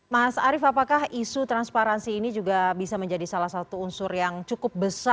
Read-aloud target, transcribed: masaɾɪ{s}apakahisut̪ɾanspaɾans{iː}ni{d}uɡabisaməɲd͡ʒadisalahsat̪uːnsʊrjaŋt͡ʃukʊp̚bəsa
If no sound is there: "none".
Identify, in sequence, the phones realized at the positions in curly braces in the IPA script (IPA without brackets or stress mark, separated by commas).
f, iː, d͡ʒ